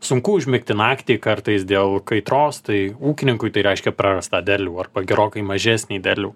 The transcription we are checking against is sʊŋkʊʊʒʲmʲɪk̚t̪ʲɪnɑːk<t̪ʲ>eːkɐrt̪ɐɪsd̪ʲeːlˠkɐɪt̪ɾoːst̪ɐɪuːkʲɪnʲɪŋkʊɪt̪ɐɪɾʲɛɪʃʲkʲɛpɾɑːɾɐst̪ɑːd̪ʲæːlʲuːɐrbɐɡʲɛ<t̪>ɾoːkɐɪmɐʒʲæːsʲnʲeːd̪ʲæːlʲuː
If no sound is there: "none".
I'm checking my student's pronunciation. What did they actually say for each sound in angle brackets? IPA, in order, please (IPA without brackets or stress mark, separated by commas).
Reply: t̪ʲ, none